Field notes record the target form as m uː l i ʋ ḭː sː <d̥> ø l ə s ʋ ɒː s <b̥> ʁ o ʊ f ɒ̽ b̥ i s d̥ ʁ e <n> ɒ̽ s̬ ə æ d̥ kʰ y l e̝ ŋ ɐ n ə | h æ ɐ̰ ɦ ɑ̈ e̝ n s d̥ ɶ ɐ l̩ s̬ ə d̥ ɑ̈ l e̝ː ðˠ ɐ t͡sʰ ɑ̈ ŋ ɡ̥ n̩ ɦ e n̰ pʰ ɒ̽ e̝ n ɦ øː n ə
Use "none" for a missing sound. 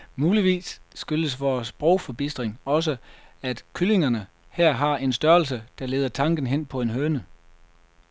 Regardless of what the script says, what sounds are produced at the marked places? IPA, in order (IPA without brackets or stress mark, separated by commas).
ɡ̥, b̥, ŋ